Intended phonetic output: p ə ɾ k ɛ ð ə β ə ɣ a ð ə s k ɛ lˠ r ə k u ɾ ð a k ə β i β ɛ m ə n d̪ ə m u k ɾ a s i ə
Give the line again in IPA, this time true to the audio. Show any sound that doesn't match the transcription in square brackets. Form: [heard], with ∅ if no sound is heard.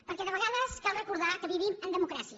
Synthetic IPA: p ə ɾ k ɛ ð ə β ə ɣ a ð ə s k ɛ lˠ r ə k u ɾ ð a k ə β i β [i] m ə n d̪ ə m u k ɾ a s i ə